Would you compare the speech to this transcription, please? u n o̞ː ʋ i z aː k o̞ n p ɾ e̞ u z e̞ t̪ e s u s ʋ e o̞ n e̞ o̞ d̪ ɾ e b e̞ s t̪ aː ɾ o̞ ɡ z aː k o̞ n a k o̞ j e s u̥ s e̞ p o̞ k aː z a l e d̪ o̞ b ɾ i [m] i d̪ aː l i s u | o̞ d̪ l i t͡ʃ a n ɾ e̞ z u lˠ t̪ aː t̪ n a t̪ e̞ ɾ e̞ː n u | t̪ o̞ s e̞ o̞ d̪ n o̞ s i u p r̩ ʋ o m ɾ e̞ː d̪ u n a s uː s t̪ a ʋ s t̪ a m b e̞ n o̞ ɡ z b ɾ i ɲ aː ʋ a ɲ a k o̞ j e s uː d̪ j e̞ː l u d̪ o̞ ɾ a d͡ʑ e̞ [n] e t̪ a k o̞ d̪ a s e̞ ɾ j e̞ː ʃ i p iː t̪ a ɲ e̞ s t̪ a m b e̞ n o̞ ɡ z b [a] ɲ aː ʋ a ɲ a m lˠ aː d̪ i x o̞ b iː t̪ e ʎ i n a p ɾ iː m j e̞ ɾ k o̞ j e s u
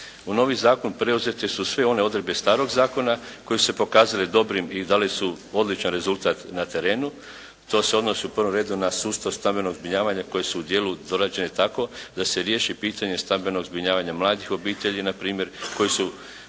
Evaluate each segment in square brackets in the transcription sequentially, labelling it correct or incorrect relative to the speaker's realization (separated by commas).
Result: correct, correct, incorrect